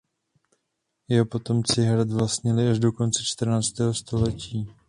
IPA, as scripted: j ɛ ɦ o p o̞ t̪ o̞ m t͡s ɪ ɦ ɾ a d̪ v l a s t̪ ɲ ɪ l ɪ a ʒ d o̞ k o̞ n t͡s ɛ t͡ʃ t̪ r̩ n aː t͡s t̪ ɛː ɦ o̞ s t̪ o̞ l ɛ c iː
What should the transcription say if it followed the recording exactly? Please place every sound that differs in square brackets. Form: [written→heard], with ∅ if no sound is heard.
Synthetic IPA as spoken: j ɛ ɦ o p o̞ t̪ o̞ m t͡s ɪ ɦ ɾ a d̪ v l a s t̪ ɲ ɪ l ɪ a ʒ d o̞ k o̞ n t͡s ɛ t͡ʃ t̪ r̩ n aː t͡s t̪ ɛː ɦ o̞ s t̪ o̞ l ɛ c iː